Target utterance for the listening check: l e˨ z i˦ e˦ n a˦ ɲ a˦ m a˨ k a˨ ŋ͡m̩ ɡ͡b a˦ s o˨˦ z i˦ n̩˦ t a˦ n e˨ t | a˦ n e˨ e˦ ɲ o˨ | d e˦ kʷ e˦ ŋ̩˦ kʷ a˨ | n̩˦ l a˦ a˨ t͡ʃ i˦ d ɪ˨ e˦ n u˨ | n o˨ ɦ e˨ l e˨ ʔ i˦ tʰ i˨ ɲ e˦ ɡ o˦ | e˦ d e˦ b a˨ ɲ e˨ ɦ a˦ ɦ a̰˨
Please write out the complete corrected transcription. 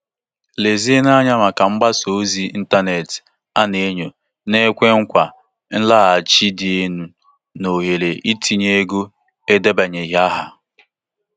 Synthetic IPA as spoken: l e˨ z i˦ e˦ n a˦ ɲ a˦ m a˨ k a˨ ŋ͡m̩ ɡ͡b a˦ s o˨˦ z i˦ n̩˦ t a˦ n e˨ t | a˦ n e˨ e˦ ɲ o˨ | n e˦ kʷ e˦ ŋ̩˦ kʷ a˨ | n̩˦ l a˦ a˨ t͡ʃ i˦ d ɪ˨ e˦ n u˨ | n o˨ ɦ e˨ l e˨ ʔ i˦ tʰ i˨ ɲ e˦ ɡ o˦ | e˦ d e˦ b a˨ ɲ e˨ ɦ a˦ ɦ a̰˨

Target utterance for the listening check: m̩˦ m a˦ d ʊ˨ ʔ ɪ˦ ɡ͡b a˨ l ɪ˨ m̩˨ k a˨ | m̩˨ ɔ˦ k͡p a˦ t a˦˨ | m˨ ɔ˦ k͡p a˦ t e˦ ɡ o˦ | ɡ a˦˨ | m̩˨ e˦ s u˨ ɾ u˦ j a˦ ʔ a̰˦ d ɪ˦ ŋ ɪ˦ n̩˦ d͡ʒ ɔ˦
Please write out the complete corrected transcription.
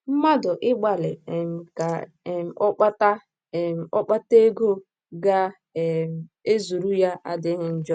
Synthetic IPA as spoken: m̩˦ m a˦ d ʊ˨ ʔ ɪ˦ ɡ͡b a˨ l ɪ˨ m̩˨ k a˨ | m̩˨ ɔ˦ k͡p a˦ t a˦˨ | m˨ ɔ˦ k͡p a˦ t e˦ ɡ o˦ | ɡ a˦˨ | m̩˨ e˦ z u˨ ɾ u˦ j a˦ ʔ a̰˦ d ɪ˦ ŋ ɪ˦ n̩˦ d͡ʒ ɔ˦

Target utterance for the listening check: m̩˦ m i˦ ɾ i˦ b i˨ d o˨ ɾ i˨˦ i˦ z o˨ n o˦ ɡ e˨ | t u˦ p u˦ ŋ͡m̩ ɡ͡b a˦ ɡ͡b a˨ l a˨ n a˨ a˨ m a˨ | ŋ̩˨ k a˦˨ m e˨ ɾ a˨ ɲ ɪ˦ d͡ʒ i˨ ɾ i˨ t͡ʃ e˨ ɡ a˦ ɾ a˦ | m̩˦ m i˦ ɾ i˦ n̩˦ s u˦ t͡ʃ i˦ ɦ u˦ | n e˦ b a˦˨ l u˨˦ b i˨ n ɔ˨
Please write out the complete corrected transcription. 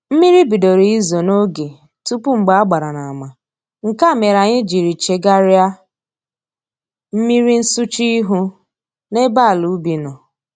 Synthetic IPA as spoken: m̩˦ m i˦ ɾ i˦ b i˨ d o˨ ɾ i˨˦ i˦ z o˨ n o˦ ɡ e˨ | t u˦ p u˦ ŋ͡m̩ ɡ͡b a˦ ɡ͡b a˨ ɾ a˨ n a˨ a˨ m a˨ | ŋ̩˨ k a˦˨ m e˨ ɾ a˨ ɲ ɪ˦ d͡ʒ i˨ ɾ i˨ t͡ʃ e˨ ɡ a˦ ɾ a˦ | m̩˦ m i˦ ɾ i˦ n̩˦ s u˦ t͡ʃ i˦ ɦ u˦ | n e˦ b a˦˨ l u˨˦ b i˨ n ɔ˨

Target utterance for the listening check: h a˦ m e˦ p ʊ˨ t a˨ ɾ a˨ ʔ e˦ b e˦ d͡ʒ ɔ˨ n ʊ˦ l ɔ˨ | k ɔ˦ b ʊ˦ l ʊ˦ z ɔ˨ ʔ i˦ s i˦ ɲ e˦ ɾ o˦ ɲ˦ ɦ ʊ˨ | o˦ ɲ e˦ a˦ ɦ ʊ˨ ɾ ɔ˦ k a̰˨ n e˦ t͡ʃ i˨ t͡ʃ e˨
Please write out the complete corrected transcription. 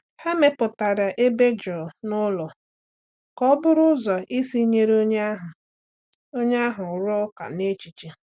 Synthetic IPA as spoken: h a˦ m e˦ p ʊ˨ t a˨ ɾ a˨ ʔ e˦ b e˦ d͡ʒ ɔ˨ n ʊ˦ l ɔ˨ | k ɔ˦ b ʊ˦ ɾ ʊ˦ z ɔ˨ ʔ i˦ s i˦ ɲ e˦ ɾ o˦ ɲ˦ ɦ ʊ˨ | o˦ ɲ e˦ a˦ ɦ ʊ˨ ɾ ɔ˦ k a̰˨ n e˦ t͡ʃ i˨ t͡ʃ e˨

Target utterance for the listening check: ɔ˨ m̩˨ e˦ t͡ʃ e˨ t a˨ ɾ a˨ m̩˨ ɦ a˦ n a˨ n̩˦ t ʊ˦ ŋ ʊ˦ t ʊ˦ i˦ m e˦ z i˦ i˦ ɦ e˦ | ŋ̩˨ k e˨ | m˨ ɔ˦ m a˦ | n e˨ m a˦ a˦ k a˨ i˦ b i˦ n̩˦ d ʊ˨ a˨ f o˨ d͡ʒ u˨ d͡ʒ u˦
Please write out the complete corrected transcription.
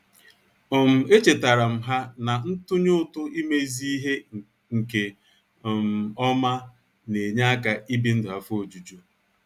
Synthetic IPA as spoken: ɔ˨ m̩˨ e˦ t͡ʃ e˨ t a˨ ɾ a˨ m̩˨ ɦ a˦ n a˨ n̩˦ t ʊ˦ ɲ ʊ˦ t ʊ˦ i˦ m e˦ z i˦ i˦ ɦ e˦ | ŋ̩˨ k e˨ | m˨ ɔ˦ m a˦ | n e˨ ɲ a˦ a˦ k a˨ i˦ b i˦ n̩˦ d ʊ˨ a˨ f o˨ d͡ʒ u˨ d͡ʒ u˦

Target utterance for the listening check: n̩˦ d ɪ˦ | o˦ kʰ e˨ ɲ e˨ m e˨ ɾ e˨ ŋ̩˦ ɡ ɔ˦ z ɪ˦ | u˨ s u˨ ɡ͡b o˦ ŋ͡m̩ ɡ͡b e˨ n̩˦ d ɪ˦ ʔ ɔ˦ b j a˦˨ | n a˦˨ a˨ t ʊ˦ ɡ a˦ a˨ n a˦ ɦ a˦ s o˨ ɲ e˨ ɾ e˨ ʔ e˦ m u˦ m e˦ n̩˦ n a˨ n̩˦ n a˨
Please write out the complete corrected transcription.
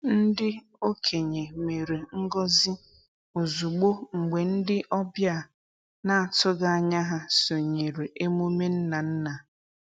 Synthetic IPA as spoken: n̩˦ d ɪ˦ | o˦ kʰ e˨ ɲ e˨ m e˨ ɾ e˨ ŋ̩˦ ɡ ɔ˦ z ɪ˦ | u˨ z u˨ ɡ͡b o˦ ŋ͡m̩ ɡ͡b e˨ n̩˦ d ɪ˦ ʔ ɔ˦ b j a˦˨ | n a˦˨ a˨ t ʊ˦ ɡ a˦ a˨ ɲ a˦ ɦ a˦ s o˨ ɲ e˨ ɾ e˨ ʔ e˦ m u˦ m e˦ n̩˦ n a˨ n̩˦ n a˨

